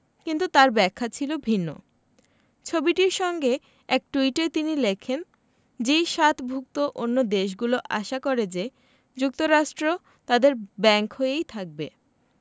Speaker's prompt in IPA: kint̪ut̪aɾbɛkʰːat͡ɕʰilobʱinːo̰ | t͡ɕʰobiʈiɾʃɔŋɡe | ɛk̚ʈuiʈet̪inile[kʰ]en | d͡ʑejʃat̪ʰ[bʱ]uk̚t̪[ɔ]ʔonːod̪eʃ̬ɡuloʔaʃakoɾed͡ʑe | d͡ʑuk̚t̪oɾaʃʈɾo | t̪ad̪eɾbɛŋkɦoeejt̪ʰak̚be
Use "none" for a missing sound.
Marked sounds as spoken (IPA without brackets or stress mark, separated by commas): kʰ, bʱ, o